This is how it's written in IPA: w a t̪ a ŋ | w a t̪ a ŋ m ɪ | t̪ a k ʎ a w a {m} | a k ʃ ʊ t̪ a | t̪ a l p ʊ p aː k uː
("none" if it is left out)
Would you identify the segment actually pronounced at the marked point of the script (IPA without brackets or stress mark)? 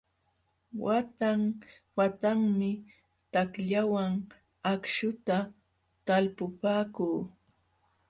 ŋ